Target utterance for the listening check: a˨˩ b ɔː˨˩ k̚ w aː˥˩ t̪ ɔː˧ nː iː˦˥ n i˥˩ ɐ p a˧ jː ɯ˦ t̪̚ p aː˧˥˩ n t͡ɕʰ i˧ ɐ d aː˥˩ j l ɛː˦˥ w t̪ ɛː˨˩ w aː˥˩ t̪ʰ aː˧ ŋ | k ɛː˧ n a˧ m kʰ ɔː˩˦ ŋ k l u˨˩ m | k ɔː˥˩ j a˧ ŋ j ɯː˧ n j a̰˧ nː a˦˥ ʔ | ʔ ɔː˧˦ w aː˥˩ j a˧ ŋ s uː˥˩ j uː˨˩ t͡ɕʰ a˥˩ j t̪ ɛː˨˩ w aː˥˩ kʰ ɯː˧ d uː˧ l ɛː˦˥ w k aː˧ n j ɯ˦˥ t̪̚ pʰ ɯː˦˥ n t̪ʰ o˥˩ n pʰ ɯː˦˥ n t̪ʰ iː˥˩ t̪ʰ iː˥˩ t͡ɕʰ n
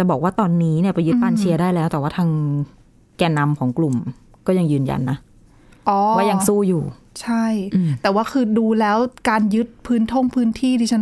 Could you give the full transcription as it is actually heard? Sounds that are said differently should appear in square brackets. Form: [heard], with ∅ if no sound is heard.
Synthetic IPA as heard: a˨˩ b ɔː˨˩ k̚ w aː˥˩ t̪ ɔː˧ nː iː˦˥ n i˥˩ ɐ p a˧ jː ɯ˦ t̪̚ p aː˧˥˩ n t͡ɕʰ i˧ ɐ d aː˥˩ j l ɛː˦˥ w t̪ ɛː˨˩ w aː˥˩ t̪ʰ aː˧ ŋ | k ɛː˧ n a˧ m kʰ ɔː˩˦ ŋ k l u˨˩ m | k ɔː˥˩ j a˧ ŋ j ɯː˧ n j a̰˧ nː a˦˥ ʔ | ʔ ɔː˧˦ w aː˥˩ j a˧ ŋ s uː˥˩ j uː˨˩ t͡ɕʰ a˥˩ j t̪ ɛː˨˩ w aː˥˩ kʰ ɯː˧ d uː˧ l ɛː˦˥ w k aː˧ n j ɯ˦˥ t̪̚ pʰ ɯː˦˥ n t̪ʰ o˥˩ [ŋ] pʰ ɯː˦˥ n t̪ʰ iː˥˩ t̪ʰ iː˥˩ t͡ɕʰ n